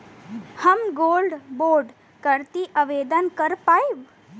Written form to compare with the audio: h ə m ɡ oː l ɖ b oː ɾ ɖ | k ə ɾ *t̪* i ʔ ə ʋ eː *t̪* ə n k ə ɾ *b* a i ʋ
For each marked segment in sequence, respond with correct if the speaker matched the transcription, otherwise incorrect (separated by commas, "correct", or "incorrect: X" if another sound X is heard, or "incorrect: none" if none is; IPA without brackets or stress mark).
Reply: correct, incorrect: d̪, incorrect: p